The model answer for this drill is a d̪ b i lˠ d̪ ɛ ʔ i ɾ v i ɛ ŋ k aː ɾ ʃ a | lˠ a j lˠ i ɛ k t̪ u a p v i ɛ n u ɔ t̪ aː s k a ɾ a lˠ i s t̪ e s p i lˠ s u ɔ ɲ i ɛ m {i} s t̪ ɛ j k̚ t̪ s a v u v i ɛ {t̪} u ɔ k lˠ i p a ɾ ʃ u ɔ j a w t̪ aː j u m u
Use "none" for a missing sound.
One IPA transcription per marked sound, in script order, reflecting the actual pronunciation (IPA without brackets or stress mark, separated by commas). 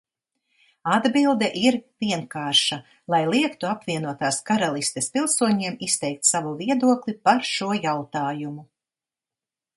i, d̪